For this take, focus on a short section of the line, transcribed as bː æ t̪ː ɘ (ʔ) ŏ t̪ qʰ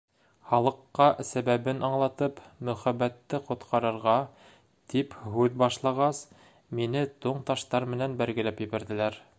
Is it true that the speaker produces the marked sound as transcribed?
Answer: no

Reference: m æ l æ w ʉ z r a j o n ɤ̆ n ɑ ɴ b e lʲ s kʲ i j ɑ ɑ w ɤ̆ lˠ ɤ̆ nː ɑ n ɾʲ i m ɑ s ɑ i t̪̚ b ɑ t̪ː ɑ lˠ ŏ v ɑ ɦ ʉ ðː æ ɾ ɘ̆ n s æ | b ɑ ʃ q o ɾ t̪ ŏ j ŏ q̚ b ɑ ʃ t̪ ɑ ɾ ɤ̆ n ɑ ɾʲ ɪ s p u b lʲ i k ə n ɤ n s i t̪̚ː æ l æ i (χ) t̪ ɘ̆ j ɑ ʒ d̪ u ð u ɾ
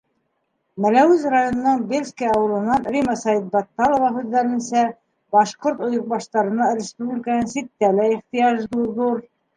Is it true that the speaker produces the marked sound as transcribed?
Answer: yes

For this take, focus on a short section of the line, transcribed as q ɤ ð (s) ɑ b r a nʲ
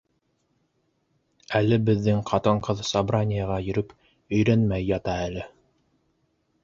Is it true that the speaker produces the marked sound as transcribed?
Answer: yes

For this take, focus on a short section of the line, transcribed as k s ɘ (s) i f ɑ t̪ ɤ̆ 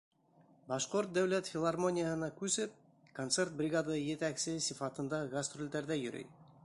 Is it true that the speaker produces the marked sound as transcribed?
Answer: yes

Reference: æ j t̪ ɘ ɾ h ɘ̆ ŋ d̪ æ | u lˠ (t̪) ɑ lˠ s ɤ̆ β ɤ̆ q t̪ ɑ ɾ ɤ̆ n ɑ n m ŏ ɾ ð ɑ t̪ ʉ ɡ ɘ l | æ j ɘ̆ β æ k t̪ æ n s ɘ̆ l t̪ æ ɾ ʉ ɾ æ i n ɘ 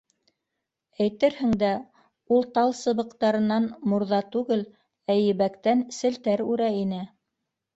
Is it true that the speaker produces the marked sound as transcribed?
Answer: yes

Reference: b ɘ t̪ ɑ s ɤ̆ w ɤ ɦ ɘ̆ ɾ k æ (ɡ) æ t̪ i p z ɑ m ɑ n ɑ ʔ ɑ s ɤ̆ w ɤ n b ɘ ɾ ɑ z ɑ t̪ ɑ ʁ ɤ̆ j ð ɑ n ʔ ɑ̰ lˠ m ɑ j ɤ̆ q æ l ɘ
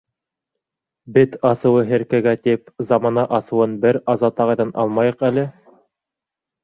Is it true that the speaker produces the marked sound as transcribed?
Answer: yes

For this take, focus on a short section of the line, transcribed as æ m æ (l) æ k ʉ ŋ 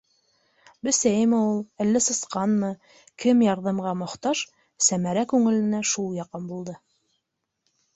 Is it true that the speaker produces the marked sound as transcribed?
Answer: no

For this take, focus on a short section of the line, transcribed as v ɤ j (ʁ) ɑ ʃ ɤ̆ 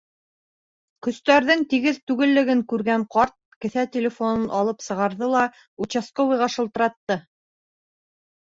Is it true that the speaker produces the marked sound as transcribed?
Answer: yes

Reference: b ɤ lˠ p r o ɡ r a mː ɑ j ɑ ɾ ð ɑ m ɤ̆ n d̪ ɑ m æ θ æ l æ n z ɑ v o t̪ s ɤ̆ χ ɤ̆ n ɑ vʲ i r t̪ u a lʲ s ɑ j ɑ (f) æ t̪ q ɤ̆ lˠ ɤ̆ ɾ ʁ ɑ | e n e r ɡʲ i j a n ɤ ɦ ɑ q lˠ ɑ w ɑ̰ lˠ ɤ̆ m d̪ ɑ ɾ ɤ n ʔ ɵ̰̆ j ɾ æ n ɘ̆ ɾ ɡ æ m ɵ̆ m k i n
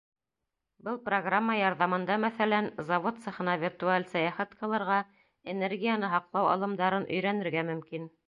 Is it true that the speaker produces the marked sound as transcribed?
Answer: no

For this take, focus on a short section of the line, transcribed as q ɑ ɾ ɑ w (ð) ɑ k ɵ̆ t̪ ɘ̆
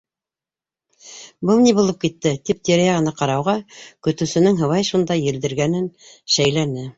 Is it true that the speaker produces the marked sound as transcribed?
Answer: no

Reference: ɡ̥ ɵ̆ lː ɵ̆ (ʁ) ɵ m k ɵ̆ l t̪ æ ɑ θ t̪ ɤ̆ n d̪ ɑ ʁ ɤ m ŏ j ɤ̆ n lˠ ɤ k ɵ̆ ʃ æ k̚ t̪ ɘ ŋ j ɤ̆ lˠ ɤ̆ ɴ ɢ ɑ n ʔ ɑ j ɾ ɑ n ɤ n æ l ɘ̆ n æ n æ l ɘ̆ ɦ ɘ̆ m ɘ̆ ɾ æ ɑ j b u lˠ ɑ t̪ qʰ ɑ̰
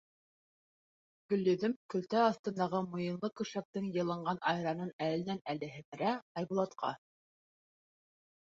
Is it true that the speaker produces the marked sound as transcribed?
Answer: no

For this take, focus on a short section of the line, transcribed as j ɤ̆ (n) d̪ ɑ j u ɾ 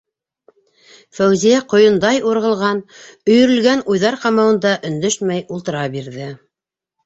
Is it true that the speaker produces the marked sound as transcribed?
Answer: yes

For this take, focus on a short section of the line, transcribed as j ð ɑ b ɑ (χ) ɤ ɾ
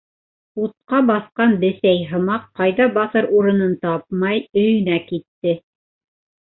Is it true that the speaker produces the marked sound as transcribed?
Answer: no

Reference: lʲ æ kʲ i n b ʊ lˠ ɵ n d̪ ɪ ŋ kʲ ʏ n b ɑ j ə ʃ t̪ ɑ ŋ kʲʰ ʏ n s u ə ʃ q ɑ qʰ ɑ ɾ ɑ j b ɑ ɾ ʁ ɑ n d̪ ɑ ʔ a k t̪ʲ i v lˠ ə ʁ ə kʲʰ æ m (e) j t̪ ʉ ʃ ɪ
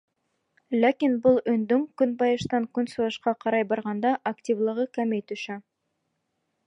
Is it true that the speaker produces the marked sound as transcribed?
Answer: yes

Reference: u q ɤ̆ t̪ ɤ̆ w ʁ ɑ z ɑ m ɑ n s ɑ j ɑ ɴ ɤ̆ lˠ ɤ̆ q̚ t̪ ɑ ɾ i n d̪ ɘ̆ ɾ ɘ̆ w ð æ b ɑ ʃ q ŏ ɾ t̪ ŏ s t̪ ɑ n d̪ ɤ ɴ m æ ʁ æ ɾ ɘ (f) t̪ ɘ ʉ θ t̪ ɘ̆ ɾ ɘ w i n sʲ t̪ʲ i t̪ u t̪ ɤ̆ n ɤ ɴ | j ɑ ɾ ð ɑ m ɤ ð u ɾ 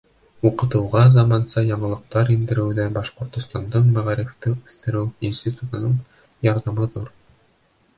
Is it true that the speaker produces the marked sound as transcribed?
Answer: yes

